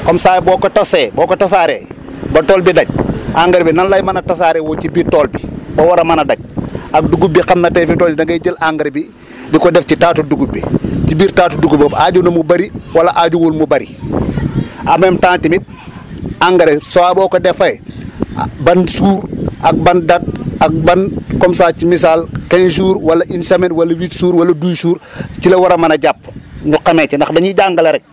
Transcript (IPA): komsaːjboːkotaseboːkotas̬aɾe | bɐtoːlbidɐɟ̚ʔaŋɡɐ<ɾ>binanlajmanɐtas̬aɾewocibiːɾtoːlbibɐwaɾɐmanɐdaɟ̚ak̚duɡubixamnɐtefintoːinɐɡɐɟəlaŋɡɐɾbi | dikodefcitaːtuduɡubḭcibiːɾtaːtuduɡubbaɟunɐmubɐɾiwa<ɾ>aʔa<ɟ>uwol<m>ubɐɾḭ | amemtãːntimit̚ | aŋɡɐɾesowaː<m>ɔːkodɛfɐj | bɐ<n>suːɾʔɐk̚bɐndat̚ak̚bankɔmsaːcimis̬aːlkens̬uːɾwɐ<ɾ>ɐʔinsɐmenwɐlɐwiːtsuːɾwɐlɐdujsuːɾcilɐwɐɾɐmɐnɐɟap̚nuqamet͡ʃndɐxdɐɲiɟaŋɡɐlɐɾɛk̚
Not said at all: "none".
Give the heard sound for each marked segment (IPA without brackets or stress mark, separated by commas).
ɾ, l, ɟ, m, b, n, l